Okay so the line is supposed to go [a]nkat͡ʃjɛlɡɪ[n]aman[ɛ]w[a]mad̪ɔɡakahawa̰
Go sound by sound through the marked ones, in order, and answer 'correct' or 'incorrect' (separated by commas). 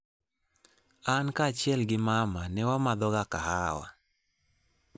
correct, incorrect, correct, correct